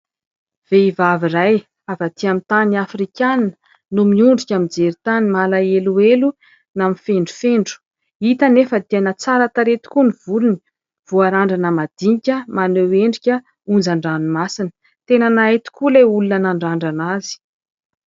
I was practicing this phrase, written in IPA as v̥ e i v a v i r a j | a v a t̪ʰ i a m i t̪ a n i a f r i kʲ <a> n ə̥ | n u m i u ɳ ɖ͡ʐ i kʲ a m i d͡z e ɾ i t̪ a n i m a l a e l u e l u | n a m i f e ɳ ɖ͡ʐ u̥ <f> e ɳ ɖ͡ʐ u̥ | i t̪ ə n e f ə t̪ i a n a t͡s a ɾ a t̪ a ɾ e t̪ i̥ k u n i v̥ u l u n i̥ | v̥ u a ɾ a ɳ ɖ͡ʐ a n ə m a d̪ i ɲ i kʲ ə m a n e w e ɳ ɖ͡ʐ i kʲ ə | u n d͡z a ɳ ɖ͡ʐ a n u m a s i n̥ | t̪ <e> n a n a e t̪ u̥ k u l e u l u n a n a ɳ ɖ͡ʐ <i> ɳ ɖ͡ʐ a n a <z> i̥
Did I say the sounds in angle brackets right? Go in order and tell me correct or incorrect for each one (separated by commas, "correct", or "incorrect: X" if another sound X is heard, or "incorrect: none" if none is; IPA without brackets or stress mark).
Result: correct, correct, correct, incorrect: a, correct